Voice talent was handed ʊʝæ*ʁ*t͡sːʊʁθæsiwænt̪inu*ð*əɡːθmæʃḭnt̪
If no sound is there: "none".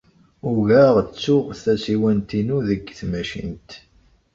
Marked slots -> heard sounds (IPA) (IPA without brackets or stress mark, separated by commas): ʁ, ð